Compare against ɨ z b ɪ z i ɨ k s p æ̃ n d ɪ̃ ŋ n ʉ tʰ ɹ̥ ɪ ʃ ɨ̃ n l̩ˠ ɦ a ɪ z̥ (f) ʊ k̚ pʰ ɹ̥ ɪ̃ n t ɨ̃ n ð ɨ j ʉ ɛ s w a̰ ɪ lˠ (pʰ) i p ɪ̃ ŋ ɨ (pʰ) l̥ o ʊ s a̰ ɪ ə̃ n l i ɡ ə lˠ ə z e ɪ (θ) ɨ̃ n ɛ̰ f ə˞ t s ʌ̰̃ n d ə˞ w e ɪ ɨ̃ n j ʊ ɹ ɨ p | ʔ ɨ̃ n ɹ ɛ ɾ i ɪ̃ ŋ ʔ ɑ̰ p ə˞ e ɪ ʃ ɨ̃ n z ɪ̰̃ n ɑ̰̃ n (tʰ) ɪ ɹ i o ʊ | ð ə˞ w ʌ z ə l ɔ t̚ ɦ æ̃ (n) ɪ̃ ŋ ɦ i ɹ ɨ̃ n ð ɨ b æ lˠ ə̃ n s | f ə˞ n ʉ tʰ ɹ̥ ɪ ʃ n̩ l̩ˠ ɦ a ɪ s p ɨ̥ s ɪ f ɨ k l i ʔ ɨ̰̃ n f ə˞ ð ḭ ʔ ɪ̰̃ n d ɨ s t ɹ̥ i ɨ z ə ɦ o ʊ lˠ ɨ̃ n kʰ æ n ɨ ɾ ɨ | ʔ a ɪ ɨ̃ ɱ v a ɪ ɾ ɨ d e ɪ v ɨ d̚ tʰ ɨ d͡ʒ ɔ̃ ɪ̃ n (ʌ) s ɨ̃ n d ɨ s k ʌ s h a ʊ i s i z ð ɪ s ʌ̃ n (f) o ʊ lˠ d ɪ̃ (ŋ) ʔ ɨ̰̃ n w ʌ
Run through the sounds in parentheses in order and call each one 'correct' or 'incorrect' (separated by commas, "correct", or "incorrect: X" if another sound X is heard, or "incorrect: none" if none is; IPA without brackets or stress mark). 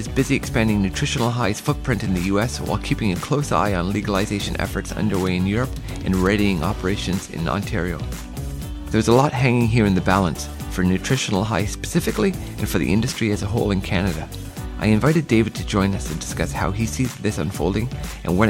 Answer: correct, incorrect: kʰ, incorrect: kʰ, incorrect: ʃ, correct, incorrect: ŋ, correct, correct, correct